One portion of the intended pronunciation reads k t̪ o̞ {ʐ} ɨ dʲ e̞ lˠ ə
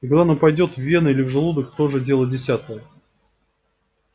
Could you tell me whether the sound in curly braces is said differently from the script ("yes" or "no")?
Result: no